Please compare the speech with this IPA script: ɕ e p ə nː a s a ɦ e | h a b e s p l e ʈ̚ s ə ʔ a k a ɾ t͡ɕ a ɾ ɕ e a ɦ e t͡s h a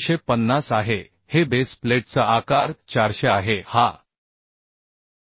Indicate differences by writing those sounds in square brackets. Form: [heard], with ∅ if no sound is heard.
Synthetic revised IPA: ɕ e p ə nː a s a ɦ e | h [e] b e s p l e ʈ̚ [t͡s] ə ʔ a k a ɾ t͡ɕ a ɾ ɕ e a ɦ e [∅] h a